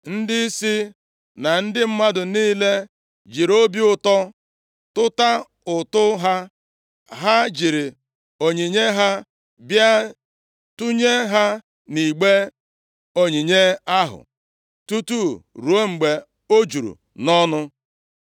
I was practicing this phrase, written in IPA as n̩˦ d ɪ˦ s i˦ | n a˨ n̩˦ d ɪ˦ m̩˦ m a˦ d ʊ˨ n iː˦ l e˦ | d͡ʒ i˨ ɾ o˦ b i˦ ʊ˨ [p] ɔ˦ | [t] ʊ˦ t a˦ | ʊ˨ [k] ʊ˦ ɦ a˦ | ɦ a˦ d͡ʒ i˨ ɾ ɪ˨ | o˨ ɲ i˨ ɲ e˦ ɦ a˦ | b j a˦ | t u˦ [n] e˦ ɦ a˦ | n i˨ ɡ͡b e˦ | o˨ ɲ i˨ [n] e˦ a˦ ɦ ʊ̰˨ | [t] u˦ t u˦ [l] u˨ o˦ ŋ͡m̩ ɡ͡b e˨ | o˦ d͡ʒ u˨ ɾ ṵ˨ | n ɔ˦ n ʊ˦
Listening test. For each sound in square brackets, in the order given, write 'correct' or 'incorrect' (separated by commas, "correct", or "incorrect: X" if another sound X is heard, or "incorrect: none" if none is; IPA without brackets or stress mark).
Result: incorrect: t, correct, incorrect: t, incorrect: ɲ, incorrect: ɲ, correct, incorrect: ɾ